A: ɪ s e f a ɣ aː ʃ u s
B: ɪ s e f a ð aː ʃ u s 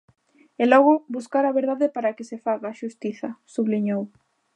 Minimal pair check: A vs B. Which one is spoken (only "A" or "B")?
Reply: A